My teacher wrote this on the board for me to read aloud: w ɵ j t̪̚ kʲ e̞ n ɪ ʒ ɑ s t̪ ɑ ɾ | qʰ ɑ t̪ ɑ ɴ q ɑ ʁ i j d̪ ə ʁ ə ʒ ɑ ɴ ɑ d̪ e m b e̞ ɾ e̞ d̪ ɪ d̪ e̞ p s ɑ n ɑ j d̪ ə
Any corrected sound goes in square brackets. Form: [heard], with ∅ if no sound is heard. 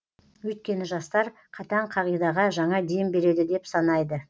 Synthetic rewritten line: w ɵ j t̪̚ kʲ e̞ n ɪ ʒ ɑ s t̪ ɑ ɾ | qʰ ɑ t̪ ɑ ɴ [qʰ] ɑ ʁ i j d̪ [ɑ] ʁ [ɑ] ʒ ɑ ɴ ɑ d̪ e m b e̞ ɾ e̞ d̪ ɪ d̪ e̞ p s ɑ n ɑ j d̪ ə